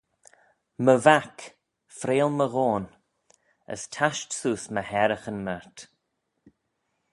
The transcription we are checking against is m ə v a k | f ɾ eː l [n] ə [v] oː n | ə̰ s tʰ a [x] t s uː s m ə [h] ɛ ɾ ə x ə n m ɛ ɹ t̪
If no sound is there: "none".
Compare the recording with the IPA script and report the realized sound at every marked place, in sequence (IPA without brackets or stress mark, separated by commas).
m, ɣ, ʃ, h